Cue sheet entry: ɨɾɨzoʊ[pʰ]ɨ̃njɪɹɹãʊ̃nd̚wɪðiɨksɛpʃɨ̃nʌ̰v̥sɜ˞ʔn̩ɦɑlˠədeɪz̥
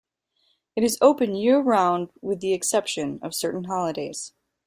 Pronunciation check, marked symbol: incorrect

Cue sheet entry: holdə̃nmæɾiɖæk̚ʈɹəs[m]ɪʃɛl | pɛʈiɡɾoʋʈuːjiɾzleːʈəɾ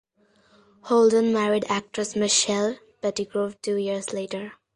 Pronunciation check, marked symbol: correct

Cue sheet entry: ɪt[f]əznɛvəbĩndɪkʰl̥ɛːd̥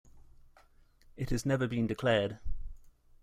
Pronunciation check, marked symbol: incorrect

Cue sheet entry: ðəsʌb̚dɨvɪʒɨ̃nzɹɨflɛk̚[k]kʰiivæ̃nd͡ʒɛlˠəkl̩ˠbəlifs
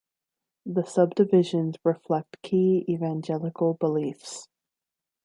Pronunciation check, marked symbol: incorrect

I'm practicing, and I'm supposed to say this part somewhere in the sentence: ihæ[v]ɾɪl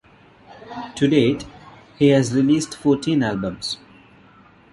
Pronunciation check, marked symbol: incorrect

